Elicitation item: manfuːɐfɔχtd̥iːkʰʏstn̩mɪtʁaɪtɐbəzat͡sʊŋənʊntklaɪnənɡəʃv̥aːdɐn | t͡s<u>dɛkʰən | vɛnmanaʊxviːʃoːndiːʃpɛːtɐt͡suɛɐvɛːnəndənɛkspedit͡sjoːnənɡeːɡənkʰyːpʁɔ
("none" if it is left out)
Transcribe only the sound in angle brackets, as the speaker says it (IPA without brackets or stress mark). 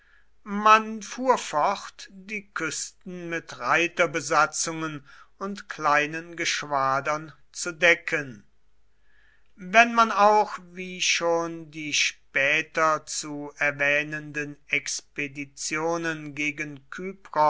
u